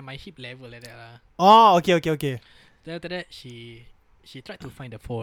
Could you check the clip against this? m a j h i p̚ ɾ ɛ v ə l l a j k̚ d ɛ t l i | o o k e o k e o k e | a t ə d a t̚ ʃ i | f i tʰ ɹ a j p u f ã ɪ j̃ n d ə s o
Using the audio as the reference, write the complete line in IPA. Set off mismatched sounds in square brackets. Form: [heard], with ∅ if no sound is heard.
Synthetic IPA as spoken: m a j h i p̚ [l] ɛ v ə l l a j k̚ d ɛ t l [a] | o o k e o k e o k e | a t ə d [ɛ] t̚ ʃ i | [ʃ] i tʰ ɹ a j [t] u f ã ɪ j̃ n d ə [f] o